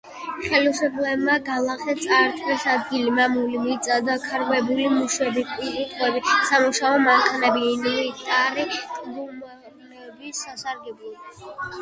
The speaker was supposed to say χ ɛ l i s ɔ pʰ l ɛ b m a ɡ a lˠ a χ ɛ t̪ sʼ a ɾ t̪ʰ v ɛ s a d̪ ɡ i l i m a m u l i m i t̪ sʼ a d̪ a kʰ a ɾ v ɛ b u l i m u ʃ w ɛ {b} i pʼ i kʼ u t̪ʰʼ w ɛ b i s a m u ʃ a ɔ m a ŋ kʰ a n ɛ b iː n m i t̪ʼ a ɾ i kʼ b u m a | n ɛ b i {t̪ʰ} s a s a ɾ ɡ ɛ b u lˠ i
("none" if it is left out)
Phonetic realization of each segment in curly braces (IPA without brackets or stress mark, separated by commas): b, none